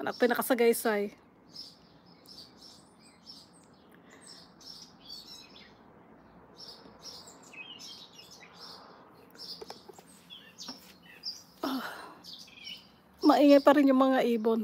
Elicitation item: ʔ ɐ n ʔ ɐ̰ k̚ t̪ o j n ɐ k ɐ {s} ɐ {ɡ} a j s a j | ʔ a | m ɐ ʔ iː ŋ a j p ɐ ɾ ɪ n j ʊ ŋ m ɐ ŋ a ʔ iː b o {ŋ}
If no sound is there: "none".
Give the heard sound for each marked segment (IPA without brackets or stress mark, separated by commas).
s, ɡ, n